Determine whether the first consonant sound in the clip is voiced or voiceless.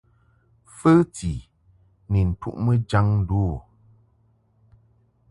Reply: voiceless